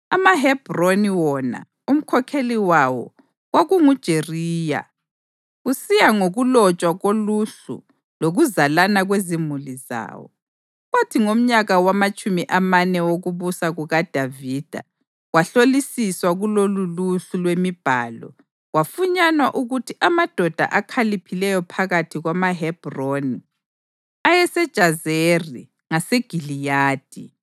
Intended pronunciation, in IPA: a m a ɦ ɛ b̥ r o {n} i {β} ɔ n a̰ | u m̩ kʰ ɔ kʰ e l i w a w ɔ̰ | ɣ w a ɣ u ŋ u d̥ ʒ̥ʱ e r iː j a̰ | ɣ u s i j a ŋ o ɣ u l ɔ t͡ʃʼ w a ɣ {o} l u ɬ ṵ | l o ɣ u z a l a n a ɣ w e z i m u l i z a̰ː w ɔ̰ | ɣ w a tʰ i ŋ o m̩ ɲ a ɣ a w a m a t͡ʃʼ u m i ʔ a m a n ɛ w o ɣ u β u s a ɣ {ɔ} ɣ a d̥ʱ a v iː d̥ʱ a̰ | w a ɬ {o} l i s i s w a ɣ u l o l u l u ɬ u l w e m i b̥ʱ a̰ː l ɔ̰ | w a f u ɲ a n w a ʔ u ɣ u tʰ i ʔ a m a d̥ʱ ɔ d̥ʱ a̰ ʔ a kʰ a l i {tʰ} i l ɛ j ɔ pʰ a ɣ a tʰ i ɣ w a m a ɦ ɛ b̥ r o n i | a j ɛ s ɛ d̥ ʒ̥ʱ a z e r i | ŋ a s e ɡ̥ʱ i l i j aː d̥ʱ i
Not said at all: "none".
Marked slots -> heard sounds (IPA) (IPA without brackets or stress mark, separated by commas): n, w, o, u, o, pʰ